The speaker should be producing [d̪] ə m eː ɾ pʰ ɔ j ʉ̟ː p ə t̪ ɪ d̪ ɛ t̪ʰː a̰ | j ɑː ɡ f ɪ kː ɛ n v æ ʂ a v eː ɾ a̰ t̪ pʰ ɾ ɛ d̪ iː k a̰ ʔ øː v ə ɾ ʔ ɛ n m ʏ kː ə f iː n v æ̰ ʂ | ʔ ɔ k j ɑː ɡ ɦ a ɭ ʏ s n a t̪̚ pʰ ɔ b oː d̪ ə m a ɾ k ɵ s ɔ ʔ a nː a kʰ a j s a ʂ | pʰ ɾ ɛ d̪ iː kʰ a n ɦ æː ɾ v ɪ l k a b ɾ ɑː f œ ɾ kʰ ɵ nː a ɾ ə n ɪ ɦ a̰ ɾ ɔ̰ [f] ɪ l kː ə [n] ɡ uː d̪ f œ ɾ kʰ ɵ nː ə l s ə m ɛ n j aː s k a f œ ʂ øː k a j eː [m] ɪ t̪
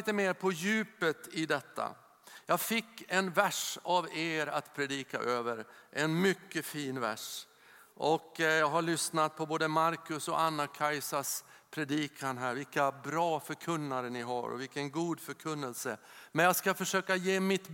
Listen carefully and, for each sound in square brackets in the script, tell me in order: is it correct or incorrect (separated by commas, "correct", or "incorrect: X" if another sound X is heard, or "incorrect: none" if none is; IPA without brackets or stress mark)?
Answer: incorrect: t̪, incorrect: v, correct, correct